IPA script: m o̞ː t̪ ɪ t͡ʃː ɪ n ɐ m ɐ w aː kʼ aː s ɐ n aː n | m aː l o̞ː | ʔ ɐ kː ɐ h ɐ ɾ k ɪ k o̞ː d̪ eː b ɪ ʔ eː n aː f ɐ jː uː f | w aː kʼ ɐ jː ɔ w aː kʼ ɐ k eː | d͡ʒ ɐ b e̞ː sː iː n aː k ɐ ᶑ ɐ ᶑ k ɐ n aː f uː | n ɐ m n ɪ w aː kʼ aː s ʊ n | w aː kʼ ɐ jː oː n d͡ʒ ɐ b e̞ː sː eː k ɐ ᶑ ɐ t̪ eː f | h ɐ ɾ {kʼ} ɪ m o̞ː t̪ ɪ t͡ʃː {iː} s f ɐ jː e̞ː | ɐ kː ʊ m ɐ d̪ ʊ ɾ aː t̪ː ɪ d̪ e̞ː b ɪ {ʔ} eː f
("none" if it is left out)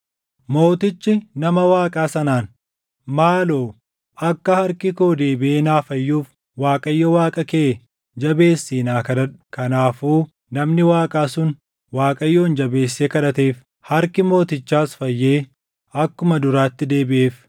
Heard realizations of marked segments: k, aː, ʔ

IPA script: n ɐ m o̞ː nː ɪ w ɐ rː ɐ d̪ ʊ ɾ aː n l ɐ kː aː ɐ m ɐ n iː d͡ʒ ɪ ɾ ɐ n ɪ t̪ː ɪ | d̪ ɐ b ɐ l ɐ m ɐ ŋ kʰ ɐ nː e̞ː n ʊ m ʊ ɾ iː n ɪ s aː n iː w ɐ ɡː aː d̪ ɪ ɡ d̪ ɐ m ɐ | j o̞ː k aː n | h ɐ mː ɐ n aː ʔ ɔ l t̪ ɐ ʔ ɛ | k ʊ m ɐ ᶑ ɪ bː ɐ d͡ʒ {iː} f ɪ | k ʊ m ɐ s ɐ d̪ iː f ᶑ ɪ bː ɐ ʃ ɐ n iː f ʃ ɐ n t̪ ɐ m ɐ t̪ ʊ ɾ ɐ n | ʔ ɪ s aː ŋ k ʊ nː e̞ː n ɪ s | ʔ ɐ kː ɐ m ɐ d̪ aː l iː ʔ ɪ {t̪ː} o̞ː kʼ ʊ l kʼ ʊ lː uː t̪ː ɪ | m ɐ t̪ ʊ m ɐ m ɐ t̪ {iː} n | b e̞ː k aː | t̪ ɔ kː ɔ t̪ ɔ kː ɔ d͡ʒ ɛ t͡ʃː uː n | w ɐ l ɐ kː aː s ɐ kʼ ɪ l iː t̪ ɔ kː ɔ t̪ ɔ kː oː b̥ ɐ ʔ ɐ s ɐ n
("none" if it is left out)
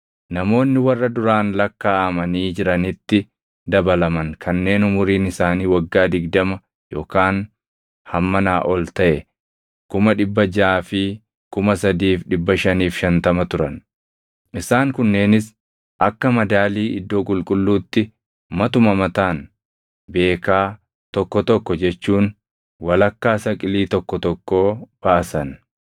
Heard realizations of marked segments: aː, d̪ː, aː

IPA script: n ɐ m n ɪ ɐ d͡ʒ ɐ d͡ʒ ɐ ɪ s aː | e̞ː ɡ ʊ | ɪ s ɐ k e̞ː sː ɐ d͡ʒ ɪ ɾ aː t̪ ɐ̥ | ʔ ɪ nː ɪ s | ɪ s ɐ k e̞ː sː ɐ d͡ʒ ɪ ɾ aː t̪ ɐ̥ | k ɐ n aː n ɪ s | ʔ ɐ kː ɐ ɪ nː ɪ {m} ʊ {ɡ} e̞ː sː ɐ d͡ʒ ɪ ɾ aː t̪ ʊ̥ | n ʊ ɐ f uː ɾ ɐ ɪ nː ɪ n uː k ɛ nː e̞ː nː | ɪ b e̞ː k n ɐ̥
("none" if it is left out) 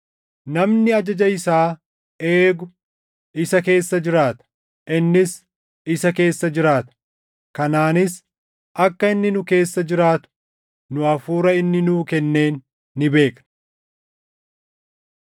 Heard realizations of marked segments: n, k

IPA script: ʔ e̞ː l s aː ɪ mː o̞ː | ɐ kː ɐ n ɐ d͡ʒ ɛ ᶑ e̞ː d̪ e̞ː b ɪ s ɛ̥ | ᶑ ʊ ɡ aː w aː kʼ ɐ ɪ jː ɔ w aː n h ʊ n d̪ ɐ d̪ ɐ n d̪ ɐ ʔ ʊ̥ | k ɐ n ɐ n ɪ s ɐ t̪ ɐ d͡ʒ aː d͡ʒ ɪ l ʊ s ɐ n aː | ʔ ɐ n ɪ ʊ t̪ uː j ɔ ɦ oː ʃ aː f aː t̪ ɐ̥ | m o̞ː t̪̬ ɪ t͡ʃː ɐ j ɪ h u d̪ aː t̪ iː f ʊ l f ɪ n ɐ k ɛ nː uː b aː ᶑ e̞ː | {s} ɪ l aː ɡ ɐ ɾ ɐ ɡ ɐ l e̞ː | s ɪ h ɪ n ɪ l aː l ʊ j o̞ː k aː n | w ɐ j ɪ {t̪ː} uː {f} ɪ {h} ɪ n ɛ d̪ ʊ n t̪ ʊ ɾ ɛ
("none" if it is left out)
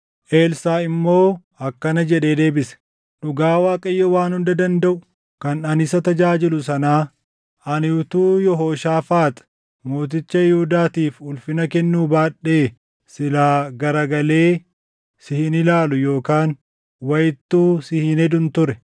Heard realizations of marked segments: s, t̪ː, s, h

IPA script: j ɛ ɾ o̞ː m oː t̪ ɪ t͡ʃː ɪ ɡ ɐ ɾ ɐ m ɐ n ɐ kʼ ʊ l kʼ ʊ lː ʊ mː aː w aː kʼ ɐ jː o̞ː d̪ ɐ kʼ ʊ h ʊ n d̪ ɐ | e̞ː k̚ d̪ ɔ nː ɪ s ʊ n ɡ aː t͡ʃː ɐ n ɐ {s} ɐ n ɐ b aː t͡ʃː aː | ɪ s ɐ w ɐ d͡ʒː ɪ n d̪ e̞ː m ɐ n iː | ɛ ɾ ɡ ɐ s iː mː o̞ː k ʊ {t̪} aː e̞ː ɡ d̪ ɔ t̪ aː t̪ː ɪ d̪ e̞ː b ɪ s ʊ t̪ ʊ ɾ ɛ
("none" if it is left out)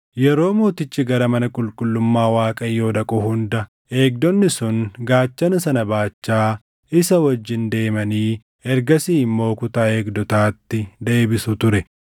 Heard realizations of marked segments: s, t̪

